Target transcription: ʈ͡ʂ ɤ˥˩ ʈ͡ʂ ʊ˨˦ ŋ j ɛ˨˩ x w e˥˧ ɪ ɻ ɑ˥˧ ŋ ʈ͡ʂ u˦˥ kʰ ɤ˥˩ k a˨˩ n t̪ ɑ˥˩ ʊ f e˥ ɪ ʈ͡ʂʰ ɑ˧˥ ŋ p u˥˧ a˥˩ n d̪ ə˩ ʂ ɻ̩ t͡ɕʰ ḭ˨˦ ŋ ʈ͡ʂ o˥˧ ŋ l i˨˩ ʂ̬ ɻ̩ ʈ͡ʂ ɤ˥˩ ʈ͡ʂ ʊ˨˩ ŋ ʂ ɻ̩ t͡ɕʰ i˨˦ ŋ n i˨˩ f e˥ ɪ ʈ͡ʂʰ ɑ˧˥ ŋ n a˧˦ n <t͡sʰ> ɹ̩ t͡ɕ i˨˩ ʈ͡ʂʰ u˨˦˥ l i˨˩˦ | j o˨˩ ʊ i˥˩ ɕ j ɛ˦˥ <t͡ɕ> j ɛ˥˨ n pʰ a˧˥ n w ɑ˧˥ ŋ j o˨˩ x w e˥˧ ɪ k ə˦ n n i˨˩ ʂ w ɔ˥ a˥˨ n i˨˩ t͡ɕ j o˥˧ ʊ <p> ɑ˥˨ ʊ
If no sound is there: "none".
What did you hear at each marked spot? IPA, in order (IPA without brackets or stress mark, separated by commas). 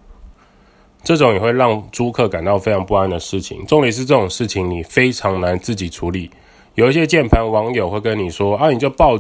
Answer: t͡s, t͡ɕ, p